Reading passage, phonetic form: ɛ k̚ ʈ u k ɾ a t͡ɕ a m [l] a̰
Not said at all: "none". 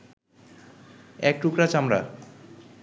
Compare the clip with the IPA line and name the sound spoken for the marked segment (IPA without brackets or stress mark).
ɾ